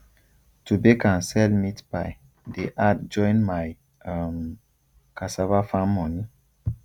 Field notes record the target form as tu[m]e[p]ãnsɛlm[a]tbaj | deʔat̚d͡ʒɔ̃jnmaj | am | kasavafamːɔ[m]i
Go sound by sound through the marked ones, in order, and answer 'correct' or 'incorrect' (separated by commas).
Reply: incorrect, incorrect, incorrect, incorrect